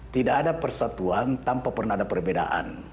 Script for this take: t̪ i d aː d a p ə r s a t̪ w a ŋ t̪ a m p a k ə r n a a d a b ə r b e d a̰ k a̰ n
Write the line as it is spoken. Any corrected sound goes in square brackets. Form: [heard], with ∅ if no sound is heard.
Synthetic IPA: t̪ i d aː d a p ə r s a t̪ [u] a [n] t̪ a m p a [p] ə r n a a d a [p] ə r b e d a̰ [ʔ] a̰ n